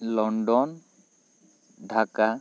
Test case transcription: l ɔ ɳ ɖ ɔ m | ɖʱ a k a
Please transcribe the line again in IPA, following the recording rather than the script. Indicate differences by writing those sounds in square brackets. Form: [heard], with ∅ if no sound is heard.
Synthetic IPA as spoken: l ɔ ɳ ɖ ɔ [n] | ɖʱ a k a